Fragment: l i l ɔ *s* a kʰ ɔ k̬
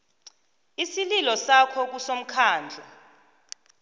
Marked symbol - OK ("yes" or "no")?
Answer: yes